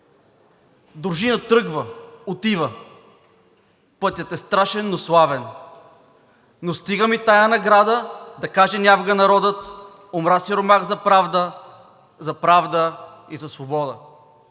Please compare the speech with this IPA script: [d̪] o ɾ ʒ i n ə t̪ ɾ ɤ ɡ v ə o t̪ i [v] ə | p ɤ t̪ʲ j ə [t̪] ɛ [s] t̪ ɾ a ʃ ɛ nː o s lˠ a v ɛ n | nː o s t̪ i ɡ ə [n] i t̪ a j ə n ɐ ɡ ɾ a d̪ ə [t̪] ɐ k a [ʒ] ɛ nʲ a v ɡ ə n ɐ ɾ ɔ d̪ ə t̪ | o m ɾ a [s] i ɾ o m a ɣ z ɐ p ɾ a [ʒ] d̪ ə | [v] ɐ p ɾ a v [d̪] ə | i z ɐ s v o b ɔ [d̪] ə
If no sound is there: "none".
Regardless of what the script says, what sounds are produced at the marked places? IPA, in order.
d̪, v, t̪, s, m, d̪, ʒ, s, v, z, d̪, d̪

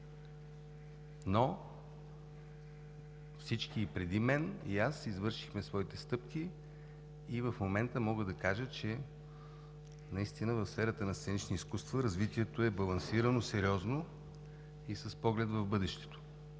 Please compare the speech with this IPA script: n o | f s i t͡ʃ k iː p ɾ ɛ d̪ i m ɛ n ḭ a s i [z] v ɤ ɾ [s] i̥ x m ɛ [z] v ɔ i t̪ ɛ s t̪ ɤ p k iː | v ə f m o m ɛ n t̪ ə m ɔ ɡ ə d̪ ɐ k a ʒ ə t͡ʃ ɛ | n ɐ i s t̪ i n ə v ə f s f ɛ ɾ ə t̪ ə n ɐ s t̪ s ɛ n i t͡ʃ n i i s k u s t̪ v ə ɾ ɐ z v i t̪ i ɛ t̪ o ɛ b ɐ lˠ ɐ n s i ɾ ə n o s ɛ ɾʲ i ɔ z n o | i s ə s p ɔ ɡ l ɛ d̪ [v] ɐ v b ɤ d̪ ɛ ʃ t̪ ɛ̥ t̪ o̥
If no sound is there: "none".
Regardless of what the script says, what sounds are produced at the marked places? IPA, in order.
z, ʃ, s, v

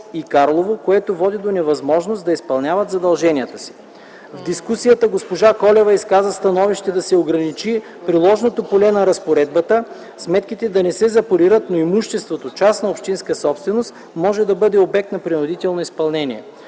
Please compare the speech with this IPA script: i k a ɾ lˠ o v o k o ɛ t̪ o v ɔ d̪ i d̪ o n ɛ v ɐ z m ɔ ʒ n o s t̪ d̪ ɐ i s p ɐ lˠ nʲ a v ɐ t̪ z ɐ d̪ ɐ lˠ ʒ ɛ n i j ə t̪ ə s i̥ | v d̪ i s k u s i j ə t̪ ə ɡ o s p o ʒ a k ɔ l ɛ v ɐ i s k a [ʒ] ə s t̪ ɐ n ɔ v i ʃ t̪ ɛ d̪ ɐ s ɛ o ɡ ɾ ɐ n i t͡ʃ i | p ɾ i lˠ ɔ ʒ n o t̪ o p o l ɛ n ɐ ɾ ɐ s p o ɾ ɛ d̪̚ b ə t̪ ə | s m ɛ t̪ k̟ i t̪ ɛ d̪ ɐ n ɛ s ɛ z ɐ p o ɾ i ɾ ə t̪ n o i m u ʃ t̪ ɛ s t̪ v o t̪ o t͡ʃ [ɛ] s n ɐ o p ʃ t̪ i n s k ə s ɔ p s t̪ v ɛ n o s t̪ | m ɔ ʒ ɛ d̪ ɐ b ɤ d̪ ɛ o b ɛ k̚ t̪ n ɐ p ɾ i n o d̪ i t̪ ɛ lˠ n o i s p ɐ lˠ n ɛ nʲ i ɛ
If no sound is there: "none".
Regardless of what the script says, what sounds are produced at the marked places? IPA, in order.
z, a

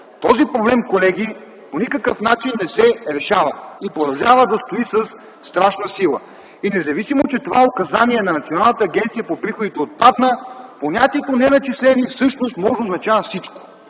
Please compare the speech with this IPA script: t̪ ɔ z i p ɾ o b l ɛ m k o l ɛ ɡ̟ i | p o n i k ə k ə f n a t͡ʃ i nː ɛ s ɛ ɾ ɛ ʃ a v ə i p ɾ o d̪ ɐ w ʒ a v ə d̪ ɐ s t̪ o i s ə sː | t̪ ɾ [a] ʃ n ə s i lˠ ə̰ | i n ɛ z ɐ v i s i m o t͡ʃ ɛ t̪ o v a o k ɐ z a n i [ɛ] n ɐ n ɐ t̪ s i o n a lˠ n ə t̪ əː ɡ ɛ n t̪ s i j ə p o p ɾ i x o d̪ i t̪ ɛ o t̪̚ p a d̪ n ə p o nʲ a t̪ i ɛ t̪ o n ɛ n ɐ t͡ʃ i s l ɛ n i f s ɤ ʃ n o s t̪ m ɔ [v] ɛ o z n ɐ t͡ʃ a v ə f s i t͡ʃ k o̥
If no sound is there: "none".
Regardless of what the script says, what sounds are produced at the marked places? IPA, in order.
a, ɛ, ʒ

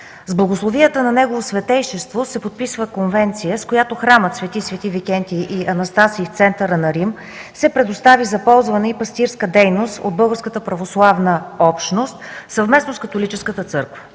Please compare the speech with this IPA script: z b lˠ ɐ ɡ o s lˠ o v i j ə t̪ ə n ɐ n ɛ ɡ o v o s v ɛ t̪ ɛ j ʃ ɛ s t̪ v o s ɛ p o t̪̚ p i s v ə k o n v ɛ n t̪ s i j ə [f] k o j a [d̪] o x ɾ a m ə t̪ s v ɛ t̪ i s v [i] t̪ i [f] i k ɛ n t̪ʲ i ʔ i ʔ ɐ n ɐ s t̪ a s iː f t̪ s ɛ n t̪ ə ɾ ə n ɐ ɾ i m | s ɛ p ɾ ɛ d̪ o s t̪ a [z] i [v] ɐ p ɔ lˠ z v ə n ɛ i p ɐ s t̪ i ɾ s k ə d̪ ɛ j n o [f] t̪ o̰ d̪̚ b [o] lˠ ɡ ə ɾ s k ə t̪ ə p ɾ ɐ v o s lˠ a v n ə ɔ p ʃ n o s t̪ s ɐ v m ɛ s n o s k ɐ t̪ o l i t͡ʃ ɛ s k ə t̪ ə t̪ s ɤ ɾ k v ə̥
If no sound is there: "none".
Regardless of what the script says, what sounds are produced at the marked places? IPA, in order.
s, t̪, ɛ, v, v, z, s, ɤ

